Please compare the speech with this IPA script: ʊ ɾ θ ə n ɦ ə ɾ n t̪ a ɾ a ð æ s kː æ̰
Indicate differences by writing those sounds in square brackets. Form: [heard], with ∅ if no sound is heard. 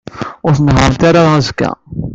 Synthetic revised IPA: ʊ ɾ θ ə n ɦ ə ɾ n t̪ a ɾ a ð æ [z] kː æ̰